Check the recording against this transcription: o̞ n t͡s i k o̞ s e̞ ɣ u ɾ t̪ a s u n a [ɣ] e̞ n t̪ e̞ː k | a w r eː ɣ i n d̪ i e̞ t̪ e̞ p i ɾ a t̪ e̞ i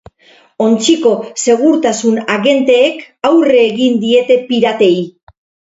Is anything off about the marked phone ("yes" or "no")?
no